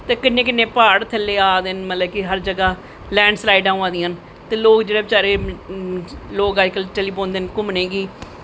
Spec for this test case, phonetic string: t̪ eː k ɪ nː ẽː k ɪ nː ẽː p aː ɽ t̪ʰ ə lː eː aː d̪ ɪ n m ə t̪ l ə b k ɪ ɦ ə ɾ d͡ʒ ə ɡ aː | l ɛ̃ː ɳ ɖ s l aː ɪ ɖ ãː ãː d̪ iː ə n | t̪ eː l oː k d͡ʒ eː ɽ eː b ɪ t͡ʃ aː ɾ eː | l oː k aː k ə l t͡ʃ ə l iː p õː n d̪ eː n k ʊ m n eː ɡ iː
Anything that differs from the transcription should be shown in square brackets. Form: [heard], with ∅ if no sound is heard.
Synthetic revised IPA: t̪ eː k ɪ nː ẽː k ɪ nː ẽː p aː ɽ t̪ʰ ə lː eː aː d̪ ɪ n m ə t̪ l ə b k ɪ ɦ ə ɾ d͡ʒ ə ɡ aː | l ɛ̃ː ɳ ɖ s l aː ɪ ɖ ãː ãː d̪ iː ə n | t̪ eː l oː k d͡ʒ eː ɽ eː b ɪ t͡ʃ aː ɾ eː | l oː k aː k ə l t͡ʃ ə l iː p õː n d̪ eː n k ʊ m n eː ɡ iː